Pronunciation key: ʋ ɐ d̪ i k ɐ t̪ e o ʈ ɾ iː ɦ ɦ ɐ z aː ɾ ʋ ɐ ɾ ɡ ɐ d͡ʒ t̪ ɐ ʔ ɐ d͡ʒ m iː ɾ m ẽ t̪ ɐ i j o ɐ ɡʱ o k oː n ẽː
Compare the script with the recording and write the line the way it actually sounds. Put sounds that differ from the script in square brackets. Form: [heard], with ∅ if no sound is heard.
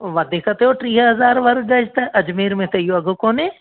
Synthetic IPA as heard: ʋ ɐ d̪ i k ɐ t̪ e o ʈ ɾ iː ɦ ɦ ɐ z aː ɾ ʋ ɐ ɾ ɡ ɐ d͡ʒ t̪ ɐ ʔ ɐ d͡ʒ m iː ɾ m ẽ t̪ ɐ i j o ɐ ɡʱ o k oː n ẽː

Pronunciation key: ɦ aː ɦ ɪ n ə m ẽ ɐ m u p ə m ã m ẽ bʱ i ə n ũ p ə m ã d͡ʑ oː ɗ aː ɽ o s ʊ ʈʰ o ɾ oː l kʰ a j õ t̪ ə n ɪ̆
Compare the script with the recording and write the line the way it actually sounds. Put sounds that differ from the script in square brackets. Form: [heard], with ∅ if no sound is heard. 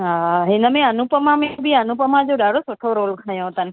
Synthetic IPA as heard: ɦ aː ɦ ɪ n ə m ẽ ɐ [n] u p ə m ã m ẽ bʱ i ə n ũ p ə m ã d͡ʑ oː ɗ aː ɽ o s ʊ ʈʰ o ɾ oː l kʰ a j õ t̪ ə n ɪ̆

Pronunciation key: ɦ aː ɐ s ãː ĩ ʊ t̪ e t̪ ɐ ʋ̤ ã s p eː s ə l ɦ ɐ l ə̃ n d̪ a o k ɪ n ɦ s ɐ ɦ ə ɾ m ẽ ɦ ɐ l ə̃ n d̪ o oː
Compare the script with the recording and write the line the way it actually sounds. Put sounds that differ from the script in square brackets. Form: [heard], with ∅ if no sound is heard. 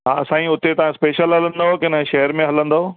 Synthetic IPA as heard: ɦ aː ɐ s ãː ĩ ʊ t̪ e t̪ ɐ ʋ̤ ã s p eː [ʃ] ə l ɦ ɐ l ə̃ n d̪ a o k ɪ n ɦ [ʃ] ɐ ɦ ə ɾ m ẽ ɦ ɐ l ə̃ n d̪ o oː

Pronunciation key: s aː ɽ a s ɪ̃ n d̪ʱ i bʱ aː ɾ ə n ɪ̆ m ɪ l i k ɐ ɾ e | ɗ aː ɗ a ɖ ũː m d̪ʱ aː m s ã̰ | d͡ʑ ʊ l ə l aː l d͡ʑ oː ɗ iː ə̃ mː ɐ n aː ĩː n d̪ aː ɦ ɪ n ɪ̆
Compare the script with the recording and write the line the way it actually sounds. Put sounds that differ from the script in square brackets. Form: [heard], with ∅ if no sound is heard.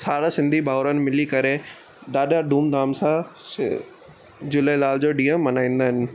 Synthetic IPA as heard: s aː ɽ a s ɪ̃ n d̪ʱ i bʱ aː ɾ ə n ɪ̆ m ɪ l i k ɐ ɾ e | ɗ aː ɗ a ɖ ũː m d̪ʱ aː m s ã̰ | d͡ʑ ʊ l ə l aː l d͡ʑ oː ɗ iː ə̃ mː ɐ n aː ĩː n d̪ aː ɦ ɪ n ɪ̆

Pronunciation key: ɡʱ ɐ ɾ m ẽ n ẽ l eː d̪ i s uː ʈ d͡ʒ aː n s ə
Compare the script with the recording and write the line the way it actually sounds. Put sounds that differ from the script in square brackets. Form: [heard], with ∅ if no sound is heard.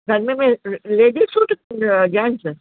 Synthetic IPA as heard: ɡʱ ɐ ɾ m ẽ [m] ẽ l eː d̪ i s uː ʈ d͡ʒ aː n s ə

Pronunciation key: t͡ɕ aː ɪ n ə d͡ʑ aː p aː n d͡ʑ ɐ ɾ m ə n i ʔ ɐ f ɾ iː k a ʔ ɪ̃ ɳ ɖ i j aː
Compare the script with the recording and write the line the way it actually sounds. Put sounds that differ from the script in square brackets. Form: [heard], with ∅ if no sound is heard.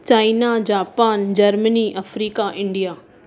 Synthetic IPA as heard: t͡ɕ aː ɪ n [a] d͡ʑ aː p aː n d͡ʑ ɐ ɾ m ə n i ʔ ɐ f ɾ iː k a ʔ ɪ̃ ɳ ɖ i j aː

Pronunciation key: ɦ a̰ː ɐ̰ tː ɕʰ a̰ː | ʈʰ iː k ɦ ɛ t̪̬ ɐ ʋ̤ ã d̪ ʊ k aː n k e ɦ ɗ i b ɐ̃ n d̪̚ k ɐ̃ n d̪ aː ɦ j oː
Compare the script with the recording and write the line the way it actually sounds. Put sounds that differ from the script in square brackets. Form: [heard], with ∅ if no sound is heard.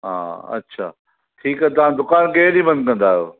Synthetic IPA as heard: ɦ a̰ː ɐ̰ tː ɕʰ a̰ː | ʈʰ iː k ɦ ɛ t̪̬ ɐ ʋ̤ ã d̪ ʊ k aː n k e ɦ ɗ i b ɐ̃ n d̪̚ k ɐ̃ n d̪ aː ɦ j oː

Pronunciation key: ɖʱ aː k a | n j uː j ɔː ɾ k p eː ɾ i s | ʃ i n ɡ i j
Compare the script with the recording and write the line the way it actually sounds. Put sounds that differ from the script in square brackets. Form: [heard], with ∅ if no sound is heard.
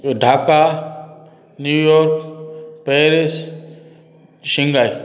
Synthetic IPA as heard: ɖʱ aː k a | n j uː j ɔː ɾ k p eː ɾ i s | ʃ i [ŋ] ɡ [a] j

